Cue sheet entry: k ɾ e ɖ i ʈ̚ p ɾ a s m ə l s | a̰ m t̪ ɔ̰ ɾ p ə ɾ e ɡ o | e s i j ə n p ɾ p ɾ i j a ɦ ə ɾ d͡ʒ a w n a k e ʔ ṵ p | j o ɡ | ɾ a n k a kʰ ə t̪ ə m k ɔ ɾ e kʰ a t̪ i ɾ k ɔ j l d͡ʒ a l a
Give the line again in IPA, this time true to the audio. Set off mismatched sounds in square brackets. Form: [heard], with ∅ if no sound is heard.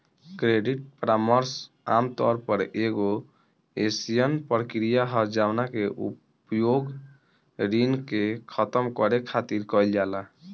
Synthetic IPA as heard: k ɾ e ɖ i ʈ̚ p ɾ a [∅] m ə [ɾ] s | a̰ m t̪ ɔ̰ ɾ p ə ɾ e ɡ o | e s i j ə n p ɾ [k] ɾ i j a ɦ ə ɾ d͡ʒ a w n a k e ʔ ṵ p | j o ɡ | ɾ [i] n k [e] kʰ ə t̪ ə m k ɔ ɾ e kʰ a t̪ i ɾ k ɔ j l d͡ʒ a l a